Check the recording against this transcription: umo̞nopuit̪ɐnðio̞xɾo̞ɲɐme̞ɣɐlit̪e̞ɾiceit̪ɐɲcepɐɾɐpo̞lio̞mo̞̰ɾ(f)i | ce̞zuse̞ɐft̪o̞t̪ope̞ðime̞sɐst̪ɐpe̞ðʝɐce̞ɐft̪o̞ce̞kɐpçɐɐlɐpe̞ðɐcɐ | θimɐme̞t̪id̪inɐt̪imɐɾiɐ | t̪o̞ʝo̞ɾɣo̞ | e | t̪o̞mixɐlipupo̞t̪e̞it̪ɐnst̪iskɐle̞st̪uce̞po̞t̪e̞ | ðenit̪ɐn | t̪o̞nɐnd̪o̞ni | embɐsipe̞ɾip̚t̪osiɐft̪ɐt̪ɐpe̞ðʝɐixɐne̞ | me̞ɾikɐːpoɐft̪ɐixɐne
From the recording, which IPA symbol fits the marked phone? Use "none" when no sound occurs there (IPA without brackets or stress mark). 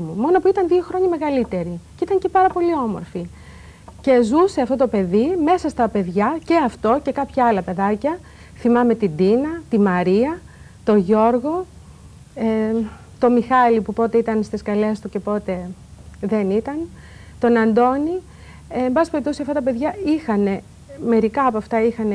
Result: f